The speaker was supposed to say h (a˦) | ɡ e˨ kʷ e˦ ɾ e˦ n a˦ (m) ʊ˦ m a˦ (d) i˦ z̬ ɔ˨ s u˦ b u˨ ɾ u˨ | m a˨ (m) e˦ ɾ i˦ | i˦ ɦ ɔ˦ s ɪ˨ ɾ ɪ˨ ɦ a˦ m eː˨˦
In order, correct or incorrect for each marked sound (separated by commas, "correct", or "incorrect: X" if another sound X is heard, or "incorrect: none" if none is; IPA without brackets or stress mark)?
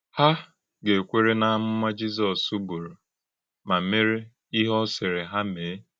correct, correct, incorrect: d͡ʒ, correct